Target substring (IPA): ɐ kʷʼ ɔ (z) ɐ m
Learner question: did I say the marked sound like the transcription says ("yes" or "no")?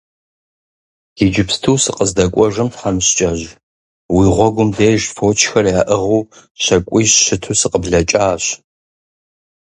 no